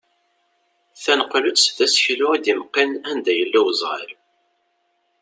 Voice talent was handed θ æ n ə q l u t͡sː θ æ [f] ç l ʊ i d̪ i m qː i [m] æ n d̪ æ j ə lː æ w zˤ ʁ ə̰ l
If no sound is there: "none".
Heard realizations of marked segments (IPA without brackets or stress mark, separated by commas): s, n